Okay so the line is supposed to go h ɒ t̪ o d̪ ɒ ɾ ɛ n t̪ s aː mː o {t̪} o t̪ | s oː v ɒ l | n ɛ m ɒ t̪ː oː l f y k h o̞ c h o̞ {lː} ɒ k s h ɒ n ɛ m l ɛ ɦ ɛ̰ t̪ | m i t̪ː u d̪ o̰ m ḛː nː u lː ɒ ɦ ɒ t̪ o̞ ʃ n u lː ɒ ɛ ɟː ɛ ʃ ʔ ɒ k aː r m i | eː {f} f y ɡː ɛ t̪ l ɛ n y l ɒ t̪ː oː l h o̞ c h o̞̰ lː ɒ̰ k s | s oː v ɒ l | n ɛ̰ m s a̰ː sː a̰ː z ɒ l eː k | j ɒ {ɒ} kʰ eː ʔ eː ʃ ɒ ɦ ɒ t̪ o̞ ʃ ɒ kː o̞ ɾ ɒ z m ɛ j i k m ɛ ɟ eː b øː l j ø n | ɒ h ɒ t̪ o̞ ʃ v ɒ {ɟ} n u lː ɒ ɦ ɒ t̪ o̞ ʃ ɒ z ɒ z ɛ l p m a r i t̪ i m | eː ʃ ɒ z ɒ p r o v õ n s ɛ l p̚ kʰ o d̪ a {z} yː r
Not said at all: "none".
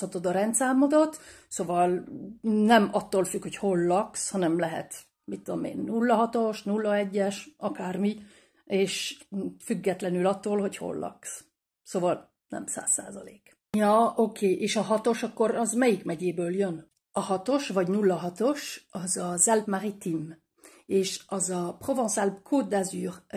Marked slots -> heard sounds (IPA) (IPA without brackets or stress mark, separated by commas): d̪, lː, ʃ, o, ɟ, z